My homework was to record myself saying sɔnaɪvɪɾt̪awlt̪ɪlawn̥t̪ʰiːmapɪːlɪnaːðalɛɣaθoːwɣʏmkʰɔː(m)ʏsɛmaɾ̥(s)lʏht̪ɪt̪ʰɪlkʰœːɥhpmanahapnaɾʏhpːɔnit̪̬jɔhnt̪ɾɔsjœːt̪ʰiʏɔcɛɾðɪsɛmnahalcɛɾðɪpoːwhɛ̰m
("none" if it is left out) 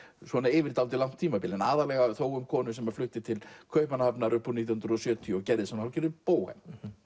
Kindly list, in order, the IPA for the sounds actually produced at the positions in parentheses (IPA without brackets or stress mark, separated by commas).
n, f